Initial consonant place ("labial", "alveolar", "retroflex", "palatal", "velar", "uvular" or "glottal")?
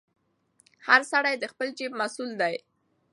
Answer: glottal